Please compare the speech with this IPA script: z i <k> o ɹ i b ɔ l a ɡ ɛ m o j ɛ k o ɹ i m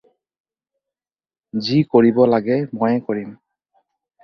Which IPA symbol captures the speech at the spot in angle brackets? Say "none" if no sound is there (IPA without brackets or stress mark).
k